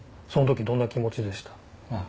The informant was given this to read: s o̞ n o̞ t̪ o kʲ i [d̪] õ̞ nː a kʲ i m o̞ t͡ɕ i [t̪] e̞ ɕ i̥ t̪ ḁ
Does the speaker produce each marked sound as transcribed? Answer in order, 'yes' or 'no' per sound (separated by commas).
yes, no